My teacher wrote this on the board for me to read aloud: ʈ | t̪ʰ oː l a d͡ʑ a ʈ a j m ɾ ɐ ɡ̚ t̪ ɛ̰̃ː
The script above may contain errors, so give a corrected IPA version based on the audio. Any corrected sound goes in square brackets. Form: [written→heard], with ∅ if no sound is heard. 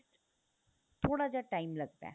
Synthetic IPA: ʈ | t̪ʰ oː [l→ɽ] a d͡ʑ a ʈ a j m [ɾ→l] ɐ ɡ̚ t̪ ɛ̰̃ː

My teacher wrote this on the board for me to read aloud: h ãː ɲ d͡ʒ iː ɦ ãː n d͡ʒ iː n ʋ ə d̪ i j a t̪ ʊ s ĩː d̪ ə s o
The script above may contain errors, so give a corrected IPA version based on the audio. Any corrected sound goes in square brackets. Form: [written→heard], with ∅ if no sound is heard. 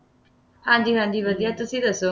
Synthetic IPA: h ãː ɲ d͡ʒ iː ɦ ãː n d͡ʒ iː [n→∅] ʋ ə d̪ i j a t̪ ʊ s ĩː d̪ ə s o

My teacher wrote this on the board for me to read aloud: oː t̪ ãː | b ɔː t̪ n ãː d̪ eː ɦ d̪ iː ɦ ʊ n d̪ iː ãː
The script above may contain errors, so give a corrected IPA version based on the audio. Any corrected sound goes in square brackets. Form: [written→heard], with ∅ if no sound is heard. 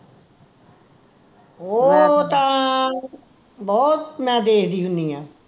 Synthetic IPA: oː t̪ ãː | b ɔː t̪ [n→m] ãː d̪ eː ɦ d̪ iː ɦ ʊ n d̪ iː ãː

